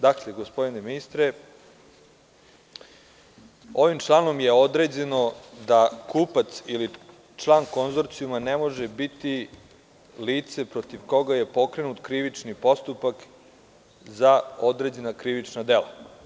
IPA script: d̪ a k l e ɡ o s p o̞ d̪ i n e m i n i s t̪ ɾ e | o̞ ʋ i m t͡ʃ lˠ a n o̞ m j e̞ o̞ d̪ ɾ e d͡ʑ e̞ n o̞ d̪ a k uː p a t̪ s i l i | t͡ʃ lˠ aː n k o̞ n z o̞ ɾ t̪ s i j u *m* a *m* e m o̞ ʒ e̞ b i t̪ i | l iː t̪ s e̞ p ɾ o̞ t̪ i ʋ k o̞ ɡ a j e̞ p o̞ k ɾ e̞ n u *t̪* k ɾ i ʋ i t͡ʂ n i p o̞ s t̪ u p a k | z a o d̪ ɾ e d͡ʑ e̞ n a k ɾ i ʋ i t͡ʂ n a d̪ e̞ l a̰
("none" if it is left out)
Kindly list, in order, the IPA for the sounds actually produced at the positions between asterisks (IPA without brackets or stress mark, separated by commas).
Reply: m, n, t̪